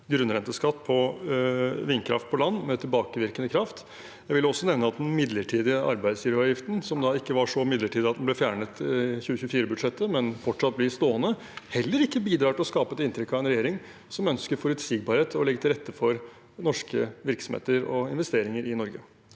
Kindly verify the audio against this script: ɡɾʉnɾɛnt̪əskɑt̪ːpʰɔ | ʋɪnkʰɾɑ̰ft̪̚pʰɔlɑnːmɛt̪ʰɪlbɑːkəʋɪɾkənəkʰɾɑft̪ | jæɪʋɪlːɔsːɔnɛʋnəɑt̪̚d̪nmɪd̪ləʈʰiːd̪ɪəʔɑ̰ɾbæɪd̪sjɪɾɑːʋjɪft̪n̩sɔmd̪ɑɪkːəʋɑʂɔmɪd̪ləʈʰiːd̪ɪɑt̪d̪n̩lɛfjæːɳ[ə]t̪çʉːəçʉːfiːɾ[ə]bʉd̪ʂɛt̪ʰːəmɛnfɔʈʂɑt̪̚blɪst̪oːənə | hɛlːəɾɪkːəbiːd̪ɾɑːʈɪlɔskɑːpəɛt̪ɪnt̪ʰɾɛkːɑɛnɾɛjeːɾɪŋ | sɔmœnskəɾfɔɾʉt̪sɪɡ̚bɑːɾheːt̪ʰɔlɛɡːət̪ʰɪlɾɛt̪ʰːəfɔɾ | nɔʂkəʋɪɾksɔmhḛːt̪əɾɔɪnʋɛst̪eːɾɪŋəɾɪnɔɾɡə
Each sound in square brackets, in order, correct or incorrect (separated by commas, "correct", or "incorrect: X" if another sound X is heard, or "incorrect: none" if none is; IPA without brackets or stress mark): correct, correct